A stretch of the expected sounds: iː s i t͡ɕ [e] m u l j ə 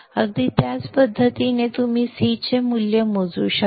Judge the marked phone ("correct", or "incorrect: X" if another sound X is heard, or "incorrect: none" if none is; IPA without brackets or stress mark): correct